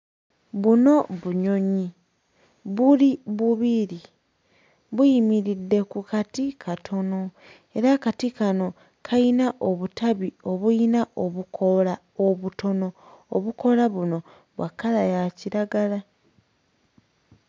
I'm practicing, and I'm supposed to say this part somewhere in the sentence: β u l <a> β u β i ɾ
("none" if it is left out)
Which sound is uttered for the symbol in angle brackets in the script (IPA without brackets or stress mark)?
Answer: i